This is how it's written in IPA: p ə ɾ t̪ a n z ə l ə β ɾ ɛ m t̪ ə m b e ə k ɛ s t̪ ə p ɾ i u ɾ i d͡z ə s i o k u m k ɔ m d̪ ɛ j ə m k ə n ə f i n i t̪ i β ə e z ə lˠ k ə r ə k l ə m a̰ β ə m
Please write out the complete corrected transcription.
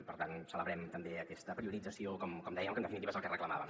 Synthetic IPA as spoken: p ə ɾ t̪ a n s ə l ə β ɾ ɛ m t̪ ə m b e ə k ɛ s t̪ ə p ɾ i u ɾ i d͡z ə s i o k ɔ m k ɔ m d̪ ɛ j ə m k ə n ə f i n i t̪ i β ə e z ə lˠ k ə r ə k l ə m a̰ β ə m

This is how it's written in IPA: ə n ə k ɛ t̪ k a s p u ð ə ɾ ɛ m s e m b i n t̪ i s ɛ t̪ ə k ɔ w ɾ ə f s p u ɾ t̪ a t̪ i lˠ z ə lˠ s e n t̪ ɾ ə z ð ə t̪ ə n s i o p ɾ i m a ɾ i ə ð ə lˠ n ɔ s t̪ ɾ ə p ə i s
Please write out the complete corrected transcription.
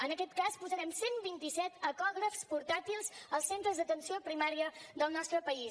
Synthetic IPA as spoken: ə n ə k ɛ t̪ k a s p u z ə ɾ ɛ m s e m b i n t̪ i s ɛ t̪ ə k ɔ ɣ ɾ ə f s p u ɾ t̪ a t̪ i lˠ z ə lˠ s e n t̪ ɾ ə z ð ə t̪ ə n s i o p ɾ i m a ɾ i ə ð ə lˠ n ɔ s t̪ ɾ ə p ə i s

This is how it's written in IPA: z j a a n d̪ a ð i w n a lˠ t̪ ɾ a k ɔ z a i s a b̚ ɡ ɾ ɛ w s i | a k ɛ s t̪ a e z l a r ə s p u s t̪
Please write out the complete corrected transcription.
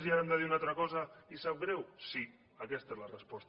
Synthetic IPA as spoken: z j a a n d̪ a ð i u n a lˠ t̪ ɾ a k ɔ z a i s a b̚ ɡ ɾ ɛ w s i | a k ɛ s t̪ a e z l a r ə s p ɔ s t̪

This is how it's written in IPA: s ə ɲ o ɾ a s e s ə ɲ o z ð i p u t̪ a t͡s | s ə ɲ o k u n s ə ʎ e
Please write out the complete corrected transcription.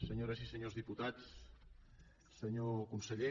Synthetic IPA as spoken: s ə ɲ o ɾ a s i s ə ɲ o z ð i p u t̪ a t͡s | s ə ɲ o k u n s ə ʎ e

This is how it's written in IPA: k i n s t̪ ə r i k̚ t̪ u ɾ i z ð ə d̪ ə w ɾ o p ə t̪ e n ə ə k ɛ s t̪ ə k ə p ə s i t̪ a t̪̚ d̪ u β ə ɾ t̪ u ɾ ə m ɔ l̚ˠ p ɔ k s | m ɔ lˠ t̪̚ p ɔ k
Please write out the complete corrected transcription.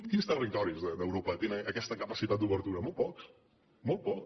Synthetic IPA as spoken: k i n s t̪ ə r i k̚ t̪ ɔ ɾ i z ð ə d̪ ə w ɾ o p ə t̪ e n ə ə k ɛ s t̪ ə k ə p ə s i t̪ a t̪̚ d̪ u β ə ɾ t̪ u ɾ ə m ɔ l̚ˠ p ɔ k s | m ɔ lˠ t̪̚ p ɔ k

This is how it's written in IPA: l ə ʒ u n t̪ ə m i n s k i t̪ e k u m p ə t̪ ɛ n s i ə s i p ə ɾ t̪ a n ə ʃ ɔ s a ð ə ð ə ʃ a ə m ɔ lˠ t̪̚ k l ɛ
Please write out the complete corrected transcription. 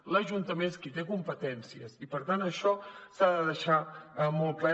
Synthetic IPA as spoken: l ə ʒ u n t̪ ə m e n s k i t̪ e k u m p ə t̪ ɛ n s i ə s i p ə ɾ t̪ a n ə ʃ ɔ s a ð ə ð ə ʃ a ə m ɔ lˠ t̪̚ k l ɛ

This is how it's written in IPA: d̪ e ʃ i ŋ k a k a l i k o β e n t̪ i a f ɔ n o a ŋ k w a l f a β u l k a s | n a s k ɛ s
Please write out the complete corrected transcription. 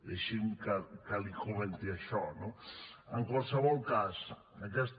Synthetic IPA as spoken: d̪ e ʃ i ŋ k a k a l i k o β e n t̪ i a ʃ ɔ n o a ŋ k w a l s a β ɔ l k a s | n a k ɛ s

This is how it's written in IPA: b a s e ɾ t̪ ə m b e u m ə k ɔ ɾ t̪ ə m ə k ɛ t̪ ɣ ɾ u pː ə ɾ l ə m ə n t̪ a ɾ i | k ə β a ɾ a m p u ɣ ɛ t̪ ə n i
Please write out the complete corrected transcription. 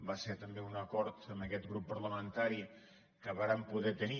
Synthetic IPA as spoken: b a s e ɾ t̪ ə m b e u n ə k ɔ ɾ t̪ ə m ə k ɛ t̪ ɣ ɾ u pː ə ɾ l ə m ə n t̪ a ɾ i | k ə β a ɾ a m p u ð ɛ t̪ ə n i

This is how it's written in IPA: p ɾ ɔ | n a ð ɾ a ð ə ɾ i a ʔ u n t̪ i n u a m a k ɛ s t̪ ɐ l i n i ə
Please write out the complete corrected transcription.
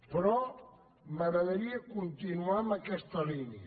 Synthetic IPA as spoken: p ɾ ɔ | m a ɣ ɾ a ð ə ɾ i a k u n t̪ i n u a m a k ɛ s t̪ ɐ l i n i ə

